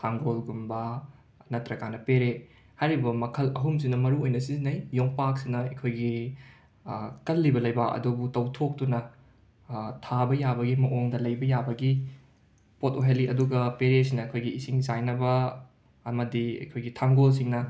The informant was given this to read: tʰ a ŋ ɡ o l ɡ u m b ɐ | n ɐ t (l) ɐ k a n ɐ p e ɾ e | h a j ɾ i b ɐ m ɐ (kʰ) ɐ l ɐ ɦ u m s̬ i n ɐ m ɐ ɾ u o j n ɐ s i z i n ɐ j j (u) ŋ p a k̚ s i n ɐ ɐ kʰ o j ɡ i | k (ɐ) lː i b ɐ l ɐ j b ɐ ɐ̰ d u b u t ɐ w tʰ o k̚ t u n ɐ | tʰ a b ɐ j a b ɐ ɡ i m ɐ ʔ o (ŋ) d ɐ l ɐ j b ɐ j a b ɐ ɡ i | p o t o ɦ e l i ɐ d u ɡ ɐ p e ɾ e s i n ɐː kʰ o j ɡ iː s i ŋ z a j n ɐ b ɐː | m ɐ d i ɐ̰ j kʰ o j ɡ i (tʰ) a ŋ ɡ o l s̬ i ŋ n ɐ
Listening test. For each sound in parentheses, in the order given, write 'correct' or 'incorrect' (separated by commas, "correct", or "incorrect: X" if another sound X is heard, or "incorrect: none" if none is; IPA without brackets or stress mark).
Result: incorrect: ɾ, correct, incorrect: o, correct, correct, correct